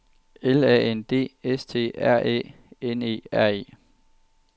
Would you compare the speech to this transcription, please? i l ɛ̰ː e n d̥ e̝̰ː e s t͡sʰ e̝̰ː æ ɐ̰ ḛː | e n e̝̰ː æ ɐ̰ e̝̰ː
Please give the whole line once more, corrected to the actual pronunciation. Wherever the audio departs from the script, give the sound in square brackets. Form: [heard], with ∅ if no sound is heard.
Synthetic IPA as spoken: [e] l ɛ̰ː e n d̥ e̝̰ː e s t͡sʰ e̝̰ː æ ɐ̰ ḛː | e n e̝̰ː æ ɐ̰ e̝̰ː